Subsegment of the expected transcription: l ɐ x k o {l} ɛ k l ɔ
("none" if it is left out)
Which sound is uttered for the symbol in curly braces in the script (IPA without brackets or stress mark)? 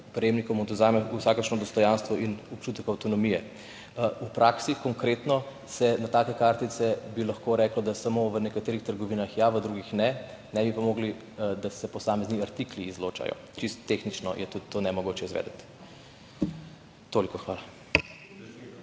ɾ